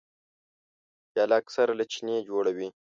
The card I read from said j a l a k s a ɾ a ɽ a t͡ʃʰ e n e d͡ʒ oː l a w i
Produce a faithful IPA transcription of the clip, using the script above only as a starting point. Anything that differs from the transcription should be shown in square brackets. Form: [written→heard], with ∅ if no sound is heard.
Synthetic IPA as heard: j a l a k s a ɾ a [ɽ→l] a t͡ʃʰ [e→i] n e d͡ʒ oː [l→ɽ] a w i